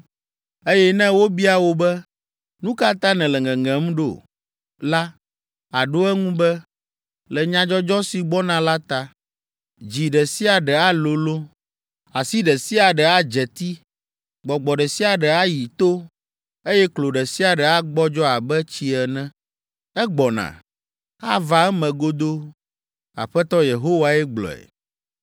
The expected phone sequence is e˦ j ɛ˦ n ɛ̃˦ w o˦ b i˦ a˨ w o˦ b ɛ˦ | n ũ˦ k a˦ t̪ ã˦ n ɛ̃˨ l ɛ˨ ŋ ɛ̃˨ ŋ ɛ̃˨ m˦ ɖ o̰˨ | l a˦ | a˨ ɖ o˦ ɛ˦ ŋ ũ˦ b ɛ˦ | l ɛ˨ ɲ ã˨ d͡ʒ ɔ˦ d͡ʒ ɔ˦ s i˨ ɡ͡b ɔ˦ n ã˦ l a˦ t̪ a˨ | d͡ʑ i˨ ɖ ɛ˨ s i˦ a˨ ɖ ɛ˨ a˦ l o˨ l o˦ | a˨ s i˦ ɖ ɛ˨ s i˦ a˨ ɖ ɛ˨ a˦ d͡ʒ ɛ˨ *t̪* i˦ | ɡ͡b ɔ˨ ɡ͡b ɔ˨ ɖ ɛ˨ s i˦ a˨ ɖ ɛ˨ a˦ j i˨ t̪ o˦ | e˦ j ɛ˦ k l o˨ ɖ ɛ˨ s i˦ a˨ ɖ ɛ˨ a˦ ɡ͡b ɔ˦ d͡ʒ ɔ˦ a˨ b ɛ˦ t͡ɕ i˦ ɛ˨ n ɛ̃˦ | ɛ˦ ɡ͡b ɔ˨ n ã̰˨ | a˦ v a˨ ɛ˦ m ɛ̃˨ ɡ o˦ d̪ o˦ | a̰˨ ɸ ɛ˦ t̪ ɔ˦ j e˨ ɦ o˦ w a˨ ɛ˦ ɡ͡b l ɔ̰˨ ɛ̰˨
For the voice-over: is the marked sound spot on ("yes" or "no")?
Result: yes